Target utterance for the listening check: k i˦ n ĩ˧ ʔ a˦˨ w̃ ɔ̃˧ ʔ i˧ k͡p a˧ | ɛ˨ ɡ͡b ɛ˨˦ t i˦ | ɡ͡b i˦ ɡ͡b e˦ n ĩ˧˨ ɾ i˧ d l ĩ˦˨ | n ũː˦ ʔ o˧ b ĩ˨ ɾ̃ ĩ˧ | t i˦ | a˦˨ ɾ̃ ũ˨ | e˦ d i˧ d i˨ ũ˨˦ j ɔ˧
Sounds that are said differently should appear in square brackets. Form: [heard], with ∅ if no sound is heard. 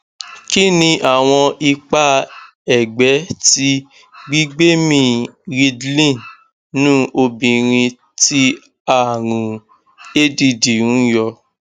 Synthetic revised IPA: k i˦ n ĩ˧ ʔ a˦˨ w̃ ɔ̃˧ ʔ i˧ k͡p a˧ | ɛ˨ ɡ͡b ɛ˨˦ t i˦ | ɡ͡b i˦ ɡ͡b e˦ [m] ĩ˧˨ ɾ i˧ d l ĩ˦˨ | n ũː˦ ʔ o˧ b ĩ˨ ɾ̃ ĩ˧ | t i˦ | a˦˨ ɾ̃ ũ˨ | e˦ d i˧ d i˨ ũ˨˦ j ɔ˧

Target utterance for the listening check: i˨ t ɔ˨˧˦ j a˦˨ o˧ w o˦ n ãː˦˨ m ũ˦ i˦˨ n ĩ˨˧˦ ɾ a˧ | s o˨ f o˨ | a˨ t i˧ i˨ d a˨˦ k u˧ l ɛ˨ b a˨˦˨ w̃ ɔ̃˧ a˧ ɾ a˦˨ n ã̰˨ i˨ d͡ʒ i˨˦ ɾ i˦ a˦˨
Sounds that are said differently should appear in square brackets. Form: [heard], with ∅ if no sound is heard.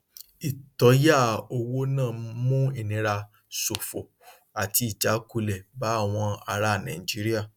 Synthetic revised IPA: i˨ t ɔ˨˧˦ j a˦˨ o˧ w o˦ n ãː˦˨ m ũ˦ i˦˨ n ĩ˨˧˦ ɾ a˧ | s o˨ f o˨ | a˨ t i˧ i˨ [d͡ʒ] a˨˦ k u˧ l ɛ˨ b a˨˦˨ w̃ ɔ̃˧ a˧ ɾ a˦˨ n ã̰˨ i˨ d͡ʒ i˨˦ ɾ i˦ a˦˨

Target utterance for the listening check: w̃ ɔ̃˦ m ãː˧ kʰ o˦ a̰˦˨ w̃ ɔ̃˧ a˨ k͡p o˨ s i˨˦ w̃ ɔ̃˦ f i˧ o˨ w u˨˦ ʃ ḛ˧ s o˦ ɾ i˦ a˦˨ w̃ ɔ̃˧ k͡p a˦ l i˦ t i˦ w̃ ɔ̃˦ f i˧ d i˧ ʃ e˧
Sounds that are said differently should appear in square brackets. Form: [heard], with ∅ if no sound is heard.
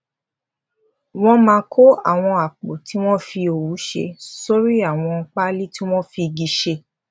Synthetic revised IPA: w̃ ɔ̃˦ m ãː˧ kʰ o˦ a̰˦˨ w̃ ɔ̃˧ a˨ k͡p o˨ [t] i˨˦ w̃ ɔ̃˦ f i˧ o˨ w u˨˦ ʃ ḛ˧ s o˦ ɾ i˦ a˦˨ w̃ ɔ̃˧ k͡p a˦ l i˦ t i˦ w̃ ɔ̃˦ f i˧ [ɡ] i˧ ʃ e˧

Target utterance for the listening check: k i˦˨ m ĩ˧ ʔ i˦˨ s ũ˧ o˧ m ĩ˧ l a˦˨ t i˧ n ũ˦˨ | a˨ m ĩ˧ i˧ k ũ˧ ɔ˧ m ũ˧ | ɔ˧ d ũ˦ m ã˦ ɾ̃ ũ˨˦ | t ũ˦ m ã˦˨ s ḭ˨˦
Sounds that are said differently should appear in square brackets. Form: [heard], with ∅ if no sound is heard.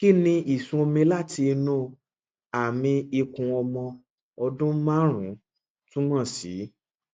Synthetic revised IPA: k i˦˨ [n] ĩ˧ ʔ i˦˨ s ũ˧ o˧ m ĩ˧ l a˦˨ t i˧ n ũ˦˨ | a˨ m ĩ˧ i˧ k ũ˧ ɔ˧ m [ɔ̃˧] | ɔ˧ d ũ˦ m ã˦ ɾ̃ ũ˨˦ | t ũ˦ m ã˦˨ s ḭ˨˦

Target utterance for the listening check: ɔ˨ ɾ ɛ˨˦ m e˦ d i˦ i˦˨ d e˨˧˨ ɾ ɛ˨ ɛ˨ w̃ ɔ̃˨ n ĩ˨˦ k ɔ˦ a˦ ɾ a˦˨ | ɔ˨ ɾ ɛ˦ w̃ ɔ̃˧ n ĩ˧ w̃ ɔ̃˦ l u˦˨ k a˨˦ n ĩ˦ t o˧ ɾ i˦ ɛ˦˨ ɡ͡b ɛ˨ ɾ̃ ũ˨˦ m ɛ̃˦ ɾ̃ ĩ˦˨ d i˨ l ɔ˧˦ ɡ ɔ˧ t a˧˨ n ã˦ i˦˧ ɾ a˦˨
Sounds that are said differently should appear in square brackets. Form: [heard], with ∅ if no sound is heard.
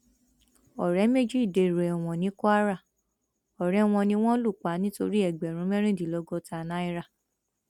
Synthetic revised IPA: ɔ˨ ɾ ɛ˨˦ m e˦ [d͡ʒ] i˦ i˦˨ d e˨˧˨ ɾ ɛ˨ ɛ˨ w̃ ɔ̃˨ n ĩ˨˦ k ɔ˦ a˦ ɾ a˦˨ | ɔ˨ ɾ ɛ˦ w̃ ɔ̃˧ n ĩ˧ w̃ ɔ̃˦ l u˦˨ [k͡p] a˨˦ n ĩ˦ t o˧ ɾ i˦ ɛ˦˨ ɡ͡b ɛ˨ ɾ̃ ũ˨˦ m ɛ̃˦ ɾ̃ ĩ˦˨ d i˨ l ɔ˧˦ ɡ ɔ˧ t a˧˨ n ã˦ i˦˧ ɾ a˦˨

